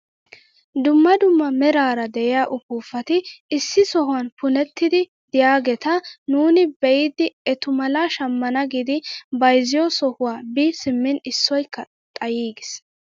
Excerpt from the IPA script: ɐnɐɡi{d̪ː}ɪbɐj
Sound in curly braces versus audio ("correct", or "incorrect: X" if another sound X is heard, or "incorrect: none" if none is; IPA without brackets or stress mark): incorrect: d̪